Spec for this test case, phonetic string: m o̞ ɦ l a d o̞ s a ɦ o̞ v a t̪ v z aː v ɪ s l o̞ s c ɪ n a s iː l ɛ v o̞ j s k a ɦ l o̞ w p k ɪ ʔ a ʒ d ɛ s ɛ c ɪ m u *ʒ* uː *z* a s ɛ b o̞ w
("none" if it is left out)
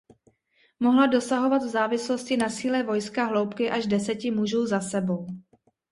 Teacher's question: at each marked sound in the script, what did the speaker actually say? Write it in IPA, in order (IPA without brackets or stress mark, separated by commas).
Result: ʒ, z